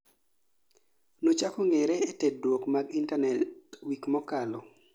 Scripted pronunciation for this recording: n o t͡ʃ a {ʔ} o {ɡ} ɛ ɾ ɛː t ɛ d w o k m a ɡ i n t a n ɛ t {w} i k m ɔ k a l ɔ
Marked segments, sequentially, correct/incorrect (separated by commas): incorrect, incorrect, correct